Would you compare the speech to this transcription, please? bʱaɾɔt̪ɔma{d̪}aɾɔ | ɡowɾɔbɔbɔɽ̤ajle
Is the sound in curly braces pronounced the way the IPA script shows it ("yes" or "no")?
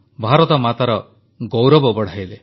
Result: no